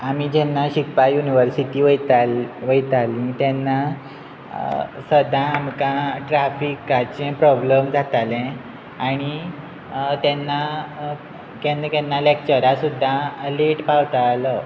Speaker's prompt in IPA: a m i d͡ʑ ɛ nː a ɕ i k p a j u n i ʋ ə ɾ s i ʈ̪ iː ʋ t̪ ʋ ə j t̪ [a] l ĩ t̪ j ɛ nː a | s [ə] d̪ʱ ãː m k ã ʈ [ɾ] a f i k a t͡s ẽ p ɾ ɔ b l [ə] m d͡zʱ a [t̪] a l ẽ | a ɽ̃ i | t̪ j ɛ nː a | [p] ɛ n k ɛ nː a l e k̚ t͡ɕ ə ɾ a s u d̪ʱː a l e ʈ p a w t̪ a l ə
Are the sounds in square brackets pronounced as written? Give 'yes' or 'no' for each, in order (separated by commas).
yes, yes, yes, yes, yes, no